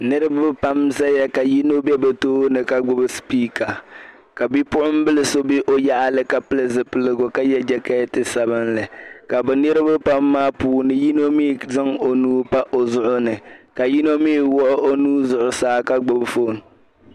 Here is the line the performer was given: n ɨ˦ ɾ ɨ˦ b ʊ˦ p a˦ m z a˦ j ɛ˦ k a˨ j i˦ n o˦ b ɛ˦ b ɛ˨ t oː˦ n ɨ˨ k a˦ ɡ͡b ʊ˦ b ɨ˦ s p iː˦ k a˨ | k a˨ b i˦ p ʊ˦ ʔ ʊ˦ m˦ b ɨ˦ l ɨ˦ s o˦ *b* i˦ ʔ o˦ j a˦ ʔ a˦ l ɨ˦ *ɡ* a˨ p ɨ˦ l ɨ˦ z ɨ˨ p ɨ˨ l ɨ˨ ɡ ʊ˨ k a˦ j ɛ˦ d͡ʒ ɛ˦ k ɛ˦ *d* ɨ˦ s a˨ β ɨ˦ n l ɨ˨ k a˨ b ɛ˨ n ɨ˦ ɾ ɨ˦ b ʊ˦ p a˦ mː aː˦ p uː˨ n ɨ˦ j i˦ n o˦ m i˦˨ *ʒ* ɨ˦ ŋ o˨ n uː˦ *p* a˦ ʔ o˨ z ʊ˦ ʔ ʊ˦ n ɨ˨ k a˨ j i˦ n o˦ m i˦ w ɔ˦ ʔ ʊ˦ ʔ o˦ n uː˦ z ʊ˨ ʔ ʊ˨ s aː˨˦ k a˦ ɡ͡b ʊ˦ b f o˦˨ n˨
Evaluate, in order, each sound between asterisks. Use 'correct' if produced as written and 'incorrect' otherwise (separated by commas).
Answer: correct, incorrect, incorrect, incorrect, correct